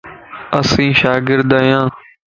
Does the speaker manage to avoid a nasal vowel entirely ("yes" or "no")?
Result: no